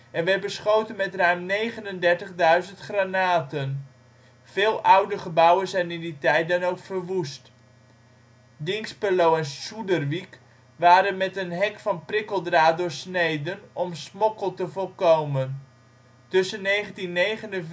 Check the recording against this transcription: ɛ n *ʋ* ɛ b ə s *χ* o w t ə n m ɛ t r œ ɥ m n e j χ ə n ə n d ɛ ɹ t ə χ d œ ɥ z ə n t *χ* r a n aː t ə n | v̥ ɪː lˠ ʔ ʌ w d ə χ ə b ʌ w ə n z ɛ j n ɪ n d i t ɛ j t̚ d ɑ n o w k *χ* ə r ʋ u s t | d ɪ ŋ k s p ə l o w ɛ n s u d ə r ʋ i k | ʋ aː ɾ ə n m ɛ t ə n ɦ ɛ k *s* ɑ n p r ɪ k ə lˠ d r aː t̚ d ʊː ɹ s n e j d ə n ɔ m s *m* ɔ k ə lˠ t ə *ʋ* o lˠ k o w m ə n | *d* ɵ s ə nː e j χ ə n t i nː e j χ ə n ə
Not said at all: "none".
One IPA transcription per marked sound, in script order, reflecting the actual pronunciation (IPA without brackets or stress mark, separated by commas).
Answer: ʋ, χ, χ, f, f, m, v, t